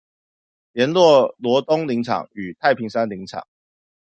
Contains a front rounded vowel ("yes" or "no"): yes